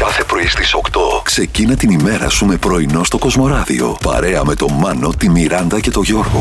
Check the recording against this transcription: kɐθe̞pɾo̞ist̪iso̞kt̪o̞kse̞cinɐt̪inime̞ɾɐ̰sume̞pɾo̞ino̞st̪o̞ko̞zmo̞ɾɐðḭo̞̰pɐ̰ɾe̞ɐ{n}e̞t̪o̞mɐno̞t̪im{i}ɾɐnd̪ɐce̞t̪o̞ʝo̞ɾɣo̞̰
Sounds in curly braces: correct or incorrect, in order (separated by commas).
incorrect, correct